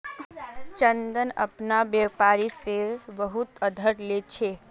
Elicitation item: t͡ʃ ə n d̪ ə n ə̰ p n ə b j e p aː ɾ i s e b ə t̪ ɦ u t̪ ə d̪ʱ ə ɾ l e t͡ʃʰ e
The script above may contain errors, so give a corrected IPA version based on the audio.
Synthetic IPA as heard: t͡ʃ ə n d̪ ə n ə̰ p n a b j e p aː ɾ i s e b ə ɦ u t̪ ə d̪ʱ ə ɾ l e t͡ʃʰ e